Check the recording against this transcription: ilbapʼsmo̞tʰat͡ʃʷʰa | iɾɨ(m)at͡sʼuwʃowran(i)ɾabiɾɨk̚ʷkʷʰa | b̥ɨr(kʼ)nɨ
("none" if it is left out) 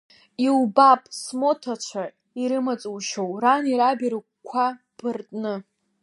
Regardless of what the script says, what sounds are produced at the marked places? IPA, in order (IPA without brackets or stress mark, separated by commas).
m, i, tʼ